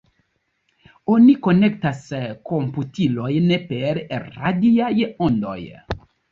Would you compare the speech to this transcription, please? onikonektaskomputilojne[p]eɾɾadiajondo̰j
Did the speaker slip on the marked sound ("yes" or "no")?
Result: no